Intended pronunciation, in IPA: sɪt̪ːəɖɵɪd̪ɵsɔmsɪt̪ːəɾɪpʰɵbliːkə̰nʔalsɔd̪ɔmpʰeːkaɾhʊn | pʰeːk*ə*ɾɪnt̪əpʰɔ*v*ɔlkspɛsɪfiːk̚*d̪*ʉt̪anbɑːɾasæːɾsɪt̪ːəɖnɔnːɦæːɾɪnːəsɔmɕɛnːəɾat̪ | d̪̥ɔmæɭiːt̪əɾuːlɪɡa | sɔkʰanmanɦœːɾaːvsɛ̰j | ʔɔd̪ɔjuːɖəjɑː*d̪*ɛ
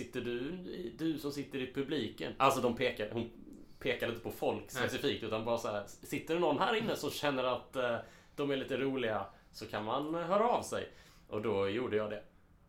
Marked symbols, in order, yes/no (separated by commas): no, no, no, yes